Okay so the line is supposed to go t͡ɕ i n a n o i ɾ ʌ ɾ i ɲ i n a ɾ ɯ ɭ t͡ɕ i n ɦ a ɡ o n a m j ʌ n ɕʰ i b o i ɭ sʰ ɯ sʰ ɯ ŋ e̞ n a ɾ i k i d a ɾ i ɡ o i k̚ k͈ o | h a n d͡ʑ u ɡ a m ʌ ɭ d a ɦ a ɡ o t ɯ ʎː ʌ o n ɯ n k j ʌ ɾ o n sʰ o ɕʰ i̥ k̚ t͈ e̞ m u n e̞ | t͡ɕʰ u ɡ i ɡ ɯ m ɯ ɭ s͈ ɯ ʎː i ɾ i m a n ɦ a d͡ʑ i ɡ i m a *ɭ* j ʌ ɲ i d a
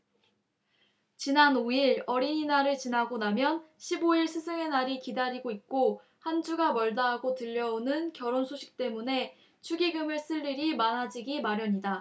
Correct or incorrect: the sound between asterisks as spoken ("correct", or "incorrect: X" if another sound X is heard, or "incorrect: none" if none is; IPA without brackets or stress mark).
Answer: incorrect: ɾ